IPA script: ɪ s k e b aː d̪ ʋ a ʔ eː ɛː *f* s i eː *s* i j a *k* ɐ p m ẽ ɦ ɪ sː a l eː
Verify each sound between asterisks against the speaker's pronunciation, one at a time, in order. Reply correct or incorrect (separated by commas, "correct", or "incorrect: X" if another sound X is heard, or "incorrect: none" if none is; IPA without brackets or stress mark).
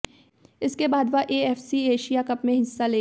correct, incorrect: ʃ, correct